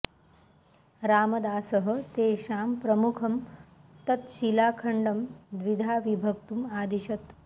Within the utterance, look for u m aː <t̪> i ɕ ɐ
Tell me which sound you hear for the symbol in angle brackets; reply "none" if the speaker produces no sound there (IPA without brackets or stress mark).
d̪